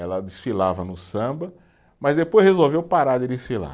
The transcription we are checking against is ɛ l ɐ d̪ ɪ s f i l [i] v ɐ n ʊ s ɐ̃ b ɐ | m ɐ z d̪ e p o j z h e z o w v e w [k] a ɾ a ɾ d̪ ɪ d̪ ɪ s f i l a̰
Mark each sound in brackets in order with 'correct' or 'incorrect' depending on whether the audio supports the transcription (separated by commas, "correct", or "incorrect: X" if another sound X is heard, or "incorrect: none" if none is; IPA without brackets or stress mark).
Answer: incorrect: a, incorrect: p